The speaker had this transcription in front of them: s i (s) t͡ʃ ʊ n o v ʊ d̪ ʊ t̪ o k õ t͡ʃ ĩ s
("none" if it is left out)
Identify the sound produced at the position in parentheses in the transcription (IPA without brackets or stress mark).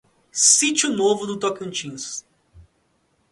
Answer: none